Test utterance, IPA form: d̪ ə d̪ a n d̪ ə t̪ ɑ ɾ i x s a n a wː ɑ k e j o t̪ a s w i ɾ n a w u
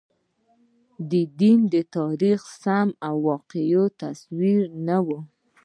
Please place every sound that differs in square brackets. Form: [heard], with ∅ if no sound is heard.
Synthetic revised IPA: d̪ ə d̪ [i] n d̪ ə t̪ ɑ ɾ i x s a [m] a wː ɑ [q] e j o t̪ a s w i ɾ n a w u